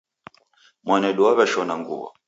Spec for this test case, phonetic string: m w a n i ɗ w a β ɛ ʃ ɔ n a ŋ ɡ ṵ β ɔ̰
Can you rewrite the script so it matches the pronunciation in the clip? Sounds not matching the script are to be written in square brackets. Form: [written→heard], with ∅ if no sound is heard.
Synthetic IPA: m w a n [i→ɛ] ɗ [w→u] a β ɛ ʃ ɔ n a ŋ ɡ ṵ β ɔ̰